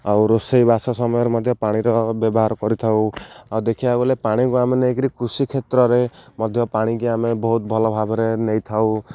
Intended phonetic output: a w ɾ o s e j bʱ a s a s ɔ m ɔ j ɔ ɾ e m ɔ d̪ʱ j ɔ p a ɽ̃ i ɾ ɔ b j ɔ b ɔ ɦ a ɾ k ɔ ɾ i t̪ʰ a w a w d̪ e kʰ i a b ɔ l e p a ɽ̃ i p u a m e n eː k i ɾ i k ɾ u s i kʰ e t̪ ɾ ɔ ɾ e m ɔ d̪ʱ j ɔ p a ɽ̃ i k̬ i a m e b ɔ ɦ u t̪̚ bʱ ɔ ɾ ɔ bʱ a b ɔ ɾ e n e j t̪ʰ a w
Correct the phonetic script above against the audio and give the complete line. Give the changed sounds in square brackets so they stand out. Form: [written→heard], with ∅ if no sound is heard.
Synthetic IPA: a w ɾ o s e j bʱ a s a s ɔ m ɔ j ɔ ɾ e m ɔ d̪ʱ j ɔ p a ɽ̃ i ɾ ɔ b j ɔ b ɔ ɦ a ɾ k ɔ ɾ i t̪ʰ a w a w d̪ e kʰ i a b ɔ l e p a ɽ̃ i [p→k] u a m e n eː k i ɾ i k ɾ u s i kʰ e t̪ ɾ ɔ ɾ e m ɔ d̪ʱ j ɔ p a ɽ̃ i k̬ i a m e b ɔ ɦ u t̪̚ bʱ ɔ [ɾ→l] ɔ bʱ a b ɔ ɾ e n e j t̪ʰ a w